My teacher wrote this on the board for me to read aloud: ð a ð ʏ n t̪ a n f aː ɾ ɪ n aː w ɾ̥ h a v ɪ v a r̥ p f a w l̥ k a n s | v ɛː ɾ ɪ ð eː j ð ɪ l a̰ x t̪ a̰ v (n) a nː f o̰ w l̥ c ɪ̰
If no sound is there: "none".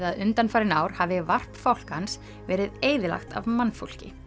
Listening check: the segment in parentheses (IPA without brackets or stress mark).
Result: m